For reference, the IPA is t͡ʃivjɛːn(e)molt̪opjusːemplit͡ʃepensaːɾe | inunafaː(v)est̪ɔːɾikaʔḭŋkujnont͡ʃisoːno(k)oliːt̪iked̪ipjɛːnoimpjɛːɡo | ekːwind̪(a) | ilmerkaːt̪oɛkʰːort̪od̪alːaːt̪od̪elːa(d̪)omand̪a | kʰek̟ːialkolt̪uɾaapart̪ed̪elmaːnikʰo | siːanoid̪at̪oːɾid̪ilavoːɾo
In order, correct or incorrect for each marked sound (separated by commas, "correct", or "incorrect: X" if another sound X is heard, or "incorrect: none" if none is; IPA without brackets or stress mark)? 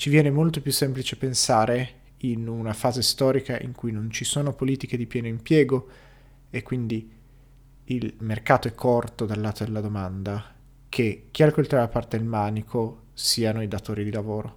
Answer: correct, incorrect: z, incorrect: p, incorrect: i, correct